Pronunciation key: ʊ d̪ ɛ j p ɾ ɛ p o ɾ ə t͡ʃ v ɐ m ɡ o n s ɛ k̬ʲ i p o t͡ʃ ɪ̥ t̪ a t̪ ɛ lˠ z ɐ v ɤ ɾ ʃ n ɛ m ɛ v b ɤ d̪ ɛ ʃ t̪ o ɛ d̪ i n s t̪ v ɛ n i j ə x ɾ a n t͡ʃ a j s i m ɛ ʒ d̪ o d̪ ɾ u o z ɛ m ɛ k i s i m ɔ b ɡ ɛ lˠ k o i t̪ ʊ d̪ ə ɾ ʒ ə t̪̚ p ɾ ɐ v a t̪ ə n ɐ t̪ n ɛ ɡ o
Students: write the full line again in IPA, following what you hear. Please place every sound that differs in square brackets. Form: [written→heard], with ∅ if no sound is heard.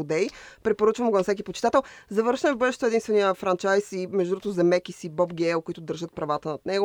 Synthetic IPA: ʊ d̪ ɛ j p ɾ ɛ p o ɾ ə t͡ʃ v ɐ m ɡ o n s ɛ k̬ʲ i p o t͡ʃ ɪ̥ t̪ a t̪ ɛ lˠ z ɐ v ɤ ɾ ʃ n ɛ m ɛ v b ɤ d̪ ɛ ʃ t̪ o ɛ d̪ i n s t̪ v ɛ n i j ə [x→f] ɾ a n t͡ʃ a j s i m ɛ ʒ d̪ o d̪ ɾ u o z ɛ m ɛ k i s i [m→b] ɔ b ɡ ɛ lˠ k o i t̪ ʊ d̪ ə ɾ ʒ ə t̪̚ p ɾ ɐ v a t̪ ə n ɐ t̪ n ɛ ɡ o